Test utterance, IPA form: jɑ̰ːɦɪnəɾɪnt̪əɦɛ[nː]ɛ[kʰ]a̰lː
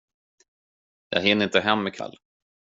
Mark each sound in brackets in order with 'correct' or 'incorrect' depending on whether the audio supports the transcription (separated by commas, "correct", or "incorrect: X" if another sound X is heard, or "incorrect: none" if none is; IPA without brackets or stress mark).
incorrect: mː, correct